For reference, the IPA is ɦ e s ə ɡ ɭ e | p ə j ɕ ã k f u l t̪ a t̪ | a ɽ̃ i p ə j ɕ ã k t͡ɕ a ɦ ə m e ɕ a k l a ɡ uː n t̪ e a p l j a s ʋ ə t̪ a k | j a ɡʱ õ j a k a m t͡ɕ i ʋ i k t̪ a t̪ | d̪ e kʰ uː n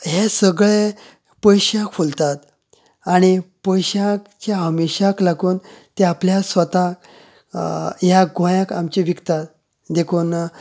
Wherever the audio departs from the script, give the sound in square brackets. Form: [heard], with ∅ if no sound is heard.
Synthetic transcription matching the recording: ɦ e s ə ɡ ɭ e | p ə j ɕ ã k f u l t̪ a t̪ | a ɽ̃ i p ə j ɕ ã k t͡ɕ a ɦ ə m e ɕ a k l a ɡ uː n t̪ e a p l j a s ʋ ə t̪ a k | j a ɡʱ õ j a k a m t͡ɕ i ʋ i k t̪ a t̪ | d̪ e kʰ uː n